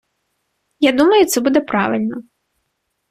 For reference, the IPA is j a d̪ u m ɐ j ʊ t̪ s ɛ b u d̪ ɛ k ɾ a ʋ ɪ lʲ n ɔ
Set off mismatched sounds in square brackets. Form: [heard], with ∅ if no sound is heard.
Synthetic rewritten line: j a d̪ u m ɐ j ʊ t̪ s ɛ b u d̪ ɛ [p] ɾ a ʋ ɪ lʲ n ɔ